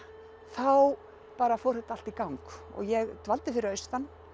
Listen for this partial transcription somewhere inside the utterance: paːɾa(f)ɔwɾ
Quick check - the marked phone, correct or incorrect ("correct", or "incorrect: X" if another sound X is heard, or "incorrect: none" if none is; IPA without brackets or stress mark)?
correct